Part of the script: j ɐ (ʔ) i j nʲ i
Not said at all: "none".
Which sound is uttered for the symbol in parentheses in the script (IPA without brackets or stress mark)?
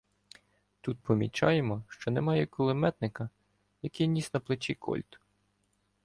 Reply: k